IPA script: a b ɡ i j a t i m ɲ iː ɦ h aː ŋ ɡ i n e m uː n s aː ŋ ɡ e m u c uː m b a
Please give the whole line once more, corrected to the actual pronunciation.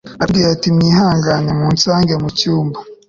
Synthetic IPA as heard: a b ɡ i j a t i m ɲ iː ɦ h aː ŋ ɡ a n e m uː n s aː ŋ ɡ e m u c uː m b a